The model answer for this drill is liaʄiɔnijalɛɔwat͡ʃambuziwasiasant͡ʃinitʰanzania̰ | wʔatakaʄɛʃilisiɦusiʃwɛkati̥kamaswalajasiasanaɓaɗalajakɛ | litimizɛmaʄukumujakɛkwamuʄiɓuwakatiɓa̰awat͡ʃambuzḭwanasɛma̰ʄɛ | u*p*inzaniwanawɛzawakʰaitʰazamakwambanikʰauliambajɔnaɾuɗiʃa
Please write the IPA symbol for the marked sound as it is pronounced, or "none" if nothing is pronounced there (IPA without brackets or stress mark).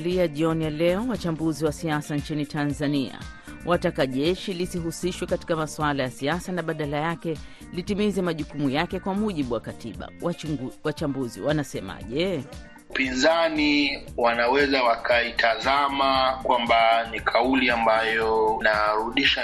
p